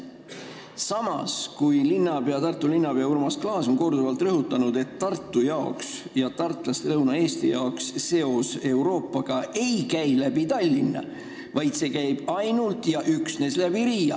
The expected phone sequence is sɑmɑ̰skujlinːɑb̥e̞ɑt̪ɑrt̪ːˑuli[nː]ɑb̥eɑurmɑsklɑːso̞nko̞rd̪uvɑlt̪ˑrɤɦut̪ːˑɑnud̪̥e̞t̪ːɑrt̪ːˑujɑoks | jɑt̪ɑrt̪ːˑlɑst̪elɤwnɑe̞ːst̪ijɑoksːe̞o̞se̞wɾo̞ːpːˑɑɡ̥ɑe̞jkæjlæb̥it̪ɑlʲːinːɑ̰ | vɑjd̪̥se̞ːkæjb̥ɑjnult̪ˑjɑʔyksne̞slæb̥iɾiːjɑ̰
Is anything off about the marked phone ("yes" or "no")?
no